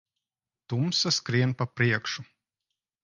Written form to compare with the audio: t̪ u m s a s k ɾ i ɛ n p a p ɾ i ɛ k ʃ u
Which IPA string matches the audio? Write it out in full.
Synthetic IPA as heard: t̪ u m s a s k ɾ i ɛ n p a p ɾ i ɛ k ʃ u